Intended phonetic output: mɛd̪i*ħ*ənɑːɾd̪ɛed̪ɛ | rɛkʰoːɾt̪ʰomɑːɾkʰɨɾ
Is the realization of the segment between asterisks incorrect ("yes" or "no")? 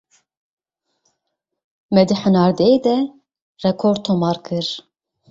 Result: no